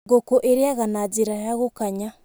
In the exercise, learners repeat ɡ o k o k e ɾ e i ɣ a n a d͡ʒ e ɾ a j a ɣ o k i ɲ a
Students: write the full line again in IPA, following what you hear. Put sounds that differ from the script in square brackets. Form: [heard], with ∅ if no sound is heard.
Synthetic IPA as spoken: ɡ o k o [ʔ] e ɾ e [a] ɣ a n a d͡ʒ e ɾ a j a ɣ o k [a] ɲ a